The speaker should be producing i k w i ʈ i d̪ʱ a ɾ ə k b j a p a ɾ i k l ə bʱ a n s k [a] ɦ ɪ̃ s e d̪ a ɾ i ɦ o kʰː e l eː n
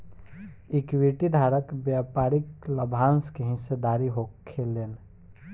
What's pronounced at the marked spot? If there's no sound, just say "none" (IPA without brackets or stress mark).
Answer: e